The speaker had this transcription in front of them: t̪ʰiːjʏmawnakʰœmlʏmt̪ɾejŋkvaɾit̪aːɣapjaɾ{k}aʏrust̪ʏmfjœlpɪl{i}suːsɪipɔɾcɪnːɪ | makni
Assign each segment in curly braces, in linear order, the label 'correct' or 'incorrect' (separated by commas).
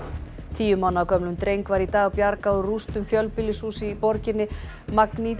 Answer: correct, incorrect